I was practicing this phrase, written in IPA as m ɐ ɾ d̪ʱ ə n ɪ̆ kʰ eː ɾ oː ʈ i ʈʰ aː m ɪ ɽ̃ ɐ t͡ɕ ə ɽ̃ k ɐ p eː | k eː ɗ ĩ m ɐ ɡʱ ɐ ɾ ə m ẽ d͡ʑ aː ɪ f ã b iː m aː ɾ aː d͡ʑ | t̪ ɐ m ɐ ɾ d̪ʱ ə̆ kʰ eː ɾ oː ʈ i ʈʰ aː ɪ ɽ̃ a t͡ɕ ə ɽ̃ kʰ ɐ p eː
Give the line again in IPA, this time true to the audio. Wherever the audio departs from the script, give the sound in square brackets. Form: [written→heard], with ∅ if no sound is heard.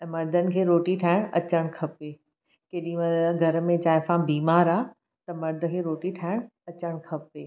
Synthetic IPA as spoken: m ɐ ɾ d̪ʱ ə n ɪ̆ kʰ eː ɾ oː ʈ i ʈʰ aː [m→∅] ɪ ɽ̃ ɐ t͡ɕ ə ɽ̃ [k→kʰ] ɐ p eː | k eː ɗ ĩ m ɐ ɡʱ ɐ ɾ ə m ẽ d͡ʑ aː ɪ f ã b iː m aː ɾ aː [d͡ʑ→∅] | t̪ ɐ m ɐ ɾ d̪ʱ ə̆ kʰ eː ɾ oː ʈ i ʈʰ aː ɪ ɽ̃ [a→ɐ] t͡ɕ ə ɽ̃ kʰ ɐ p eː